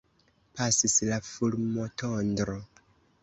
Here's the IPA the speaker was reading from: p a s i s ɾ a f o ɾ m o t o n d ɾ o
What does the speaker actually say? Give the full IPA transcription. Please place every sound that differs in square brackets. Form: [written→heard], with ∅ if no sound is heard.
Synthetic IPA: p a s i s [ɾ→l] a f [o→u] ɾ m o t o n d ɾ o